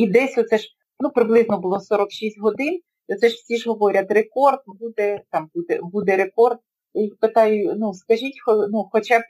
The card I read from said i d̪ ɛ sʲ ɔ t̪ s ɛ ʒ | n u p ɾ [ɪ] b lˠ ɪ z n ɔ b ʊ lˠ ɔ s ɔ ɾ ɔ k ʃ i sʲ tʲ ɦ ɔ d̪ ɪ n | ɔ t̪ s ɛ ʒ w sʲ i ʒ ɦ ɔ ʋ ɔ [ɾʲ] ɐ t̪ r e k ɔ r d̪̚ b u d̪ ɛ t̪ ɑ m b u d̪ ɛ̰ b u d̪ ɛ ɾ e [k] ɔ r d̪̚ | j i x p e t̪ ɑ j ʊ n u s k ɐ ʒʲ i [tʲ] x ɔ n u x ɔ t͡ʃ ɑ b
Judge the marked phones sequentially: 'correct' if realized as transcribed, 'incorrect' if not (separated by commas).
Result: correct, correct, correct, correct